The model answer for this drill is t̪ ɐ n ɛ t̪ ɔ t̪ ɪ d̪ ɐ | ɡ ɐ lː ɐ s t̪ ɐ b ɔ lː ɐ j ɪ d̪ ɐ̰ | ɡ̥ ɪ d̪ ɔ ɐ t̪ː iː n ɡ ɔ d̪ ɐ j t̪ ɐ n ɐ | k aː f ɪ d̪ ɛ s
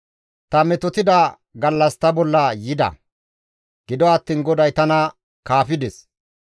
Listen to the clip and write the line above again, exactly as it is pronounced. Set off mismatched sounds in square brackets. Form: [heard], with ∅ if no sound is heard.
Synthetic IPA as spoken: t̪ ɐ [m] ɛ t̪ ɔ t̪ ɪ d̪ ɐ | ɡ ɐ lː ɐ s t̪ ɐ b ɔ lː ɐ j ɪ d̪ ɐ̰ | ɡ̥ ɪ d̪ ɔ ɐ t̪ː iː n ɡ ɔ d̪ ɐ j t̪ ɐ n ɐ | k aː f ɪ d̪ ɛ s